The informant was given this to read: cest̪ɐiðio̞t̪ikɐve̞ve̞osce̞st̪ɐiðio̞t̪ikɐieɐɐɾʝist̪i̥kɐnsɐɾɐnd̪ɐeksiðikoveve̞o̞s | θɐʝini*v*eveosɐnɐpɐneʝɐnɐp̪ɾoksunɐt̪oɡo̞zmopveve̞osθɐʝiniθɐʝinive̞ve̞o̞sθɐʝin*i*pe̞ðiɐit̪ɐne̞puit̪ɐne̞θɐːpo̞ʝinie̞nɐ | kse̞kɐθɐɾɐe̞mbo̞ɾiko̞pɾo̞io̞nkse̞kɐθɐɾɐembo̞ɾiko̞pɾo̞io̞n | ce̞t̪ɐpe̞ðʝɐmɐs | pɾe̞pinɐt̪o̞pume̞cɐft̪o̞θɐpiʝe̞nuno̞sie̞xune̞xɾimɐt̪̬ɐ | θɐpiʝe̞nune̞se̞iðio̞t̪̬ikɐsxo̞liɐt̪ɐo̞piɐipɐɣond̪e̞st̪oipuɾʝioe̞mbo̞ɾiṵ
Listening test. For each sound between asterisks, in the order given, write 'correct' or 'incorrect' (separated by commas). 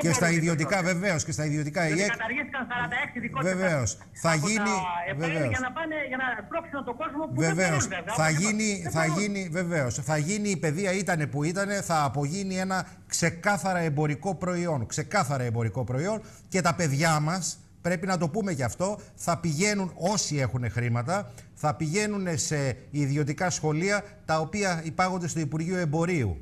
correct, incorrect